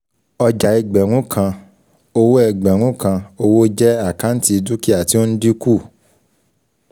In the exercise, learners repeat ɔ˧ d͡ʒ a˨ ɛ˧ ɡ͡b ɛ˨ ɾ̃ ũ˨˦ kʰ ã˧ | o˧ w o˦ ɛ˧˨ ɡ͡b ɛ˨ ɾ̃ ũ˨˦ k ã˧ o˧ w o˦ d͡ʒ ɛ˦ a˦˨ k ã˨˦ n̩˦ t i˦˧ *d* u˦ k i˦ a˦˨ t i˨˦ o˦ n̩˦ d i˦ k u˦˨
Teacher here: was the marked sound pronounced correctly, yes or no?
yes